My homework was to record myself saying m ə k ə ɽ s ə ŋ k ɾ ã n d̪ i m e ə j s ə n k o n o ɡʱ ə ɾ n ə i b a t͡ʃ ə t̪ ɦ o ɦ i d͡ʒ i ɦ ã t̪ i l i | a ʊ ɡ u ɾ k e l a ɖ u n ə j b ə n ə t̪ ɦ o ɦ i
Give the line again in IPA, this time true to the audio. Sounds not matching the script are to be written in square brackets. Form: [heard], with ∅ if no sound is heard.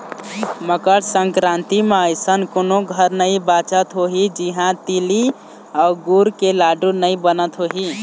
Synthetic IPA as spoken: m ə k ə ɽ s ə ŋ k ɾ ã n [t̪] i m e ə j s ə n k o n o ɡʱ ə ɾ n ə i b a t͡ʃ ə t̪ ɦ o ɦ i d͡ʒ i ɦ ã t̪ i l i | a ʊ ɡ u ɾ k e l a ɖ u n ə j b ə n ə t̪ ɦ o ɦ i